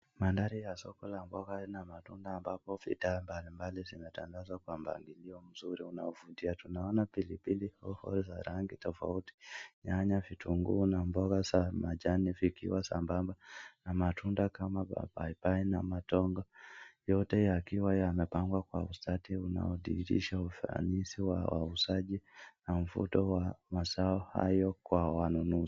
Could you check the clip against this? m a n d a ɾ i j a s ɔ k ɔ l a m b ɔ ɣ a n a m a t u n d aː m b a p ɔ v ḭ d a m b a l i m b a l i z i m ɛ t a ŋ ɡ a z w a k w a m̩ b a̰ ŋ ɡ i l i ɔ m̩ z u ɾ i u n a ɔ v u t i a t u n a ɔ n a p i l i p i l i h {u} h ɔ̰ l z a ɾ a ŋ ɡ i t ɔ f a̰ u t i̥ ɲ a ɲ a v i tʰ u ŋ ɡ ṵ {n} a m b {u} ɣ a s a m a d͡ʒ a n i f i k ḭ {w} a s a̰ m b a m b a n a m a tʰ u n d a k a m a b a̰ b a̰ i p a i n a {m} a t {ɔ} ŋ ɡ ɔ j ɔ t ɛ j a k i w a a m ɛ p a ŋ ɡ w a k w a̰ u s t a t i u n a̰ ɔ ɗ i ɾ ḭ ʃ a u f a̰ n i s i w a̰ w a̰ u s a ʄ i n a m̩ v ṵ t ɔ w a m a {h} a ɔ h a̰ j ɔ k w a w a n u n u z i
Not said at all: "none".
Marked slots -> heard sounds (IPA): ɔ, n, ɔ, w, m, ɔ, s

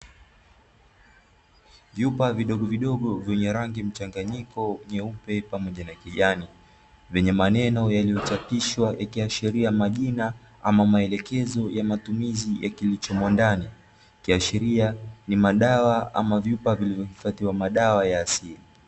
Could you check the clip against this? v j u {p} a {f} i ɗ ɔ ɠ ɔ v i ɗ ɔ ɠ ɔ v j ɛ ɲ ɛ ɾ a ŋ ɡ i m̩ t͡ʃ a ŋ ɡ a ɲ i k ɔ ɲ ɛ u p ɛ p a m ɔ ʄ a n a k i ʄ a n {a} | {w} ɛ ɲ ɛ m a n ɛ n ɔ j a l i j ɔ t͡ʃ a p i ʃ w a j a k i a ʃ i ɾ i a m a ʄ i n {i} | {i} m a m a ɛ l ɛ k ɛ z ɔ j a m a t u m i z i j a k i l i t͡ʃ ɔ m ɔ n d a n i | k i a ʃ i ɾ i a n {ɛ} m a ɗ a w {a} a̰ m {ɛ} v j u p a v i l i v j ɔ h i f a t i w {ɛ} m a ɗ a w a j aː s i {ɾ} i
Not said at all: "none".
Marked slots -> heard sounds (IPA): p, v, i, v, a, a, i, a, a, a, l

